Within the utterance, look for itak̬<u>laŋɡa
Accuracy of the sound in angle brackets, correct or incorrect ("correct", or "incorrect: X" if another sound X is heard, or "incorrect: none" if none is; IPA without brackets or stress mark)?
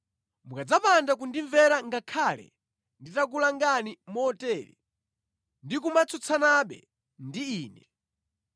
correct